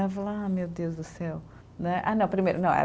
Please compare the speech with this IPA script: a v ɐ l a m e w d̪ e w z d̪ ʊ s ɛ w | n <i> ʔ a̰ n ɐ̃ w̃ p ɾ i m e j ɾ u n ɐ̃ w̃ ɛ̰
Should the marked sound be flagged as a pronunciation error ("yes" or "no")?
yes